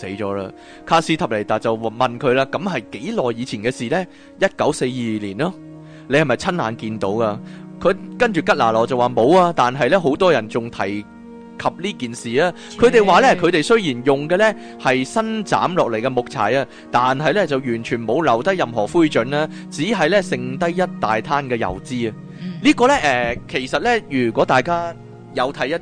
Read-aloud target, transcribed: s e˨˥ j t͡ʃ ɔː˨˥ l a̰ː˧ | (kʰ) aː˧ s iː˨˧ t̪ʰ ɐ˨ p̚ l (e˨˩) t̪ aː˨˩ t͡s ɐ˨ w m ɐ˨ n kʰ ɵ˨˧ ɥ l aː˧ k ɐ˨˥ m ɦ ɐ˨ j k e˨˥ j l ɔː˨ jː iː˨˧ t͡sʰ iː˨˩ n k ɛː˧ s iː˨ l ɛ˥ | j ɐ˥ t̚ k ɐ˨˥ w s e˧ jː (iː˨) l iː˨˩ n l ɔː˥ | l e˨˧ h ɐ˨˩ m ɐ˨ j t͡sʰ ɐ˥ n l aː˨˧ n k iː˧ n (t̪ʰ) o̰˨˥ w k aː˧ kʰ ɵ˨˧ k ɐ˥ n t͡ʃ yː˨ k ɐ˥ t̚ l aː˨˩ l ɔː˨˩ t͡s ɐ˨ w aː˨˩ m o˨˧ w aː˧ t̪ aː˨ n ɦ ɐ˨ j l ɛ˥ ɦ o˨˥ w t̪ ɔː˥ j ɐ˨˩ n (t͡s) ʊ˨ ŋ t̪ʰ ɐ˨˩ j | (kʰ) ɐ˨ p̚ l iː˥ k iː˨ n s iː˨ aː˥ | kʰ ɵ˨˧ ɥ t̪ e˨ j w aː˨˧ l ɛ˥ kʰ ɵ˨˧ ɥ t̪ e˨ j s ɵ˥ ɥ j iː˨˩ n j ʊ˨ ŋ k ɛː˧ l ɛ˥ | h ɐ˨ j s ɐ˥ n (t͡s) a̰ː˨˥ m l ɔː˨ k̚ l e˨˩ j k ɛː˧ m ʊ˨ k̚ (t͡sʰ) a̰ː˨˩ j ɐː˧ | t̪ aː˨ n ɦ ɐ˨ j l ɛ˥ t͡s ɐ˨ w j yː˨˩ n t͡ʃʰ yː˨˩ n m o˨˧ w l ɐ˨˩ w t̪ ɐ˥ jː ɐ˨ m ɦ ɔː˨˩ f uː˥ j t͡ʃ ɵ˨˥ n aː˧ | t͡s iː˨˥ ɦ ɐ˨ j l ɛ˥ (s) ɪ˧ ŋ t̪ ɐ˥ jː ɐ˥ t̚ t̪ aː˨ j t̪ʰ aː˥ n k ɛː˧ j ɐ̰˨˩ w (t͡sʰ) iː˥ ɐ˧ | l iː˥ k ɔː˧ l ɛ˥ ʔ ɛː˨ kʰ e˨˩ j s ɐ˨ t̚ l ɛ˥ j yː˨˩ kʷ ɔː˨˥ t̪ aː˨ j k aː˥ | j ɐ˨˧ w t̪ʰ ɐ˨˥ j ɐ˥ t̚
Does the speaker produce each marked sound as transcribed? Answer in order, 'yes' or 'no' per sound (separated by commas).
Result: yes, yes, yes, no, yes, yes, yes, yes, yes, no